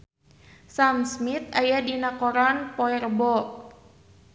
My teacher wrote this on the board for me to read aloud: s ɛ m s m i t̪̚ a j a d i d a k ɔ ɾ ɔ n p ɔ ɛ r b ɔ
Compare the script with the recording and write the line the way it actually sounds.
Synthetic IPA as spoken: s a m s m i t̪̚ a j a d i n a k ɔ ɾ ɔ n p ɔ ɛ r b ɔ